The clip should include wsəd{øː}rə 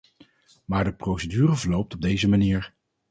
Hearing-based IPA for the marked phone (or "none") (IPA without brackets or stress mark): yː